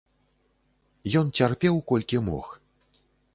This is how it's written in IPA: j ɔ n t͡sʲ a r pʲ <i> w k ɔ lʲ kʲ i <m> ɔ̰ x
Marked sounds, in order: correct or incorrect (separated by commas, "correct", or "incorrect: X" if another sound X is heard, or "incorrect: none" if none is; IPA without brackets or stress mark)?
incorrect: ɛ, correct